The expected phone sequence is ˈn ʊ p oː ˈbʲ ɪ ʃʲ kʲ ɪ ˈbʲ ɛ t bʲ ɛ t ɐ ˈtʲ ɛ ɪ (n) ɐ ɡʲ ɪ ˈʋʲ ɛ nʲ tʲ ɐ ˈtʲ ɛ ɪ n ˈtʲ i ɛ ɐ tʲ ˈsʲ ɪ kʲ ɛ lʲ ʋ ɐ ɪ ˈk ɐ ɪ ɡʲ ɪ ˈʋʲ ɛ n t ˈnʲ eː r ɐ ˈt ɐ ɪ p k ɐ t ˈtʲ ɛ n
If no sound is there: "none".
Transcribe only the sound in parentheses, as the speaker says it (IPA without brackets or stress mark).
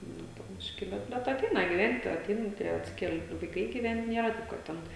n